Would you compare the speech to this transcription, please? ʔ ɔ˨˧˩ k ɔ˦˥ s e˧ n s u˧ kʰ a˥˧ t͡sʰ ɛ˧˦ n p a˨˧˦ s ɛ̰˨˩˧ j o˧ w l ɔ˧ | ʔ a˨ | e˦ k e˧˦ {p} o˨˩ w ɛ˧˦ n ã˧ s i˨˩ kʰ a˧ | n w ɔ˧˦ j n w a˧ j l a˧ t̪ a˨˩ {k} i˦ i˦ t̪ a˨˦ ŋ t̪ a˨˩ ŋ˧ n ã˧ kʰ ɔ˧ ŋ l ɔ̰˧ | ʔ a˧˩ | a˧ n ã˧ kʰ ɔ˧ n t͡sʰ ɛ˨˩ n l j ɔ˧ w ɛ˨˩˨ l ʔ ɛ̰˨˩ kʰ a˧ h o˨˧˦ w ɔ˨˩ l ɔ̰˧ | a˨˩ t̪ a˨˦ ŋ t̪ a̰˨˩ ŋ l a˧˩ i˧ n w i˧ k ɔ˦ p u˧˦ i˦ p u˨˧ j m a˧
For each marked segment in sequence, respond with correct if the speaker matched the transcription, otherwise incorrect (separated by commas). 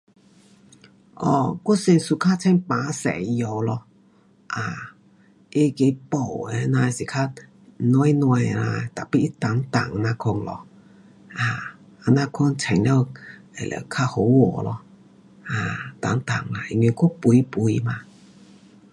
correct, incorrect